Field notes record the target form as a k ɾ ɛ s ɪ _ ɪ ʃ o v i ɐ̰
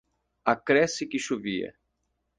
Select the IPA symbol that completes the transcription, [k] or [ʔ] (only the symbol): k